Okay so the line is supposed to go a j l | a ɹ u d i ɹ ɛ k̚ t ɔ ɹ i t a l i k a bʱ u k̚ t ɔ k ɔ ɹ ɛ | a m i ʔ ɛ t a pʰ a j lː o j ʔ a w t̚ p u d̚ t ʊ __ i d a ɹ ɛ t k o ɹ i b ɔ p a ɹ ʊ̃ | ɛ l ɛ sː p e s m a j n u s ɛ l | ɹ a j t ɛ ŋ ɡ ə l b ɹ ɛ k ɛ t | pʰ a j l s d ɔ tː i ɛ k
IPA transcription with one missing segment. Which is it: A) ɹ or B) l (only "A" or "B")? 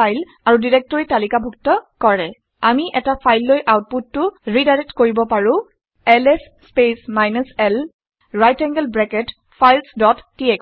A